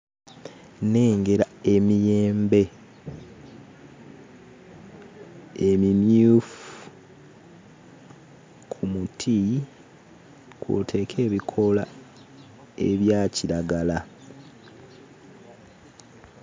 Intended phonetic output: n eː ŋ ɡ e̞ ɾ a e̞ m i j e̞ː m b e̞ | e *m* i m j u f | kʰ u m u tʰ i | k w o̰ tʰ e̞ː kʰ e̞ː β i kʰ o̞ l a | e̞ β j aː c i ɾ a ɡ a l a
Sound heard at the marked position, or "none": m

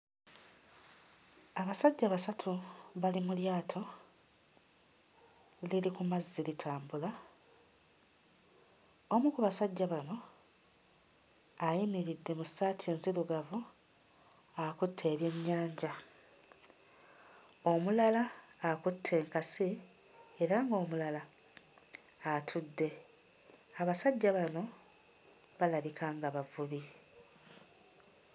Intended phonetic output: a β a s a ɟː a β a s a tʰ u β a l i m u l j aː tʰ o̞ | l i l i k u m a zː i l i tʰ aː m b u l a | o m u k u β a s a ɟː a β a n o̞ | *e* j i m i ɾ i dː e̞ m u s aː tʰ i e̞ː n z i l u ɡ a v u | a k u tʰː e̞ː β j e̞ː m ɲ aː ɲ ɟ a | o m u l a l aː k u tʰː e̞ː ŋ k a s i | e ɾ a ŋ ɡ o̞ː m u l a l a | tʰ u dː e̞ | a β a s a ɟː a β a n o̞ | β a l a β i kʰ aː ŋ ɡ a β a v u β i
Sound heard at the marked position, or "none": a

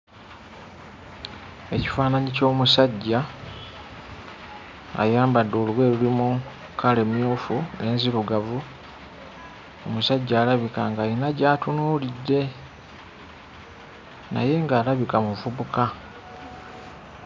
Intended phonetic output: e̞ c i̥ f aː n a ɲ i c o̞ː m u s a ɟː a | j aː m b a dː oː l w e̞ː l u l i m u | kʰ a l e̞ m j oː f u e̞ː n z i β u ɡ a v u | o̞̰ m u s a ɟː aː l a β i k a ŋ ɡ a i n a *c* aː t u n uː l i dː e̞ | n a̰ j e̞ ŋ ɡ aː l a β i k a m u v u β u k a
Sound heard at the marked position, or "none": ɟ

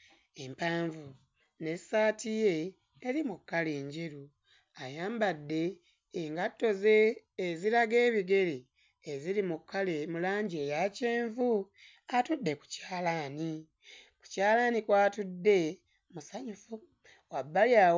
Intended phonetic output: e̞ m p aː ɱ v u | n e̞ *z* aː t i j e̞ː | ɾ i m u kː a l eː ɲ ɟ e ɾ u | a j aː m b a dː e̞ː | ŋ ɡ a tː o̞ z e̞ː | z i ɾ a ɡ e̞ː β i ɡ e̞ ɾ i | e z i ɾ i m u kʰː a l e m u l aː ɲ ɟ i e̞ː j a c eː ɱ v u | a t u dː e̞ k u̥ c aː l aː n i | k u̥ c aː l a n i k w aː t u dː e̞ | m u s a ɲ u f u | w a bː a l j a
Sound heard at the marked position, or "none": s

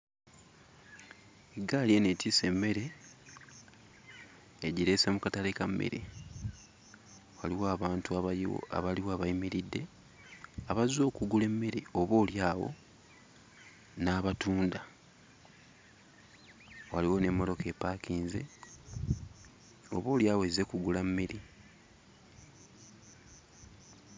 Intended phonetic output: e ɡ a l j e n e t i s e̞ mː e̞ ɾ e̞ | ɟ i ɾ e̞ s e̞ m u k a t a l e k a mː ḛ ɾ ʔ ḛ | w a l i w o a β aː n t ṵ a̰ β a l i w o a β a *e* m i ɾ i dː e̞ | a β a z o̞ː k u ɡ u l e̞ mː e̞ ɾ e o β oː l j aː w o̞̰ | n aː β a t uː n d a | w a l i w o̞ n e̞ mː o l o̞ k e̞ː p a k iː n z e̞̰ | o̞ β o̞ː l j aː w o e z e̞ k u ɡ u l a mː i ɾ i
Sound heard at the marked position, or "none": i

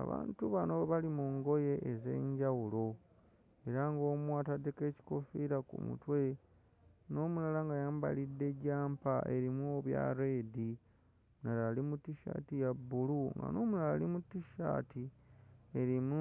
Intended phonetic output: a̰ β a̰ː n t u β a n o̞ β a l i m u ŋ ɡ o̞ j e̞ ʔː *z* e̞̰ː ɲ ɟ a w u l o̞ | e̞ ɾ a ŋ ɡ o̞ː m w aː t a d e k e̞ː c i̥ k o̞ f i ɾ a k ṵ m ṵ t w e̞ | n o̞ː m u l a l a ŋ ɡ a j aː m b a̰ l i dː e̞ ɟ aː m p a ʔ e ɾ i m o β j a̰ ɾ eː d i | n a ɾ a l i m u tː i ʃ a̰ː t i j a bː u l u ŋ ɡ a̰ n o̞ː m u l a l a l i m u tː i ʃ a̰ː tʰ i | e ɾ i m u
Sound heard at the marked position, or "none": z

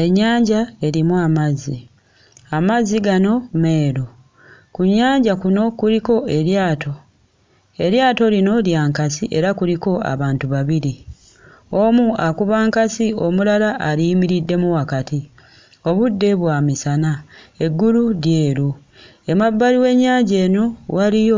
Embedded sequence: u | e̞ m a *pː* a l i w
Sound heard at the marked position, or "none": bː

